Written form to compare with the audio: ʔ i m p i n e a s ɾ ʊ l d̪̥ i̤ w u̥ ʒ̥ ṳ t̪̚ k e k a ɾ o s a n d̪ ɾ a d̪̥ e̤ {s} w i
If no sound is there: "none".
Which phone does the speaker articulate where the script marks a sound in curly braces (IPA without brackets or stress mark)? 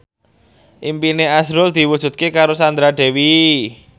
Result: none